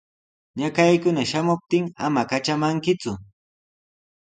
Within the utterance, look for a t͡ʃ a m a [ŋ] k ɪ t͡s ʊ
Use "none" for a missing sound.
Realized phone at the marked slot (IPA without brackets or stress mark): ŋ